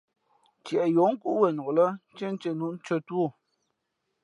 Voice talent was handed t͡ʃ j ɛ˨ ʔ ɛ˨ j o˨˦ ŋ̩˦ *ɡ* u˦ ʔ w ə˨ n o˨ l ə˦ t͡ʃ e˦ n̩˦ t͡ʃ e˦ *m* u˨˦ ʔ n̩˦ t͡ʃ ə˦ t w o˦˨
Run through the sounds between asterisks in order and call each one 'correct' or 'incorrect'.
incorrect, incorrect

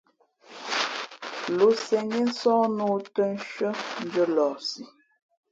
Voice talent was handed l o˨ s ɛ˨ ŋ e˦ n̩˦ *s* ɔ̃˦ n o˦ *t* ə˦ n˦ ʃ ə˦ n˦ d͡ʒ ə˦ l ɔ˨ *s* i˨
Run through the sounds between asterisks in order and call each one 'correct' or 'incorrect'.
correct, correct, correct

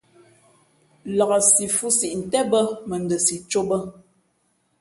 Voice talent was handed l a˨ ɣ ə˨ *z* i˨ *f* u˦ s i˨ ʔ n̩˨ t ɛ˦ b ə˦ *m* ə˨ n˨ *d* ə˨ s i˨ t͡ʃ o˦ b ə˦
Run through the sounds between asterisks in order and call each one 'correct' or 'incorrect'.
incorrect, correct, correct, correct

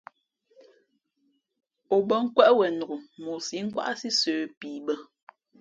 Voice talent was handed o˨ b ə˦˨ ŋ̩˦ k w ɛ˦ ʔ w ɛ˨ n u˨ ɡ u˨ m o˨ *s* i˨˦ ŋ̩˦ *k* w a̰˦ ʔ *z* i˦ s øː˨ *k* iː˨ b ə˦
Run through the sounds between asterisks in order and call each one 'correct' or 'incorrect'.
correct, correct, incorrect, incorrect

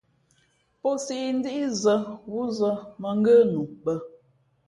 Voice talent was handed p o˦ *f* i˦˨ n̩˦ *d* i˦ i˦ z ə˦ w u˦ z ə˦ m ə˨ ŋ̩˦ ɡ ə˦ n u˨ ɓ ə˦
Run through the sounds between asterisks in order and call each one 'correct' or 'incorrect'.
incorrect, correct

